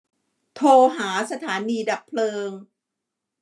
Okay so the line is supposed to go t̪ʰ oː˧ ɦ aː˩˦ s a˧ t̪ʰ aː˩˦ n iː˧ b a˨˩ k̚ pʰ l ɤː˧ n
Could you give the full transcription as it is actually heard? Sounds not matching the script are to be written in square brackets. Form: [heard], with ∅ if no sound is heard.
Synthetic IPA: t̪ʰ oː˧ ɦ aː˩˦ s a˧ t̪ʰ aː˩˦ n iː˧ [d] a˨˩ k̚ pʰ l ɤː˧ [ŋ]